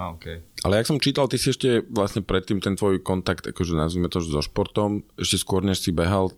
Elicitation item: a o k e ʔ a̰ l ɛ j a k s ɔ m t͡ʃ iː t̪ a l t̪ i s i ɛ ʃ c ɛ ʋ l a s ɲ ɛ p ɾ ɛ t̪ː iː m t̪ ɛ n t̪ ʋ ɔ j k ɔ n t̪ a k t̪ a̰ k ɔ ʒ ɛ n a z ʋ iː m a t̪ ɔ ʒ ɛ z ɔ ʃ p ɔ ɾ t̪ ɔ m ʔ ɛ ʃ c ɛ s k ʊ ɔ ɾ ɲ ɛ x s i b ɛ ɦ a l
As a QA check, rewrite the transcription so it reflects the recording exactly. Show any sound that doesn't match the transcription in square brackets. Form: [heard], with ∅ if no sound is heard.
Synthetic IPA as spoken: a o k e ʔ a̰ l ɛ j a k s ɔ m t͡ʃ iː t̪ a l t̪ i s i ɛ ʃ c ɛ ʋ l a s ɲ ɛ p ɾ ɛ t̪ː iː m t̪ ɛ n t̪ ʋ ɔ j k ɔ n t̪ a k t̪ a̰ k ɔ ʒ ɛ n a z ʋ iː m [ɛ] t̪ ɔ ʒ ɛ z ɔ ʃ p ɔ ɾ t̪ ɔ m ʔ ɛ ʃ c ɛ s k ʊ ɔ ɾ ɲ ɛ [ʃ] s i b ɛ ɦ a l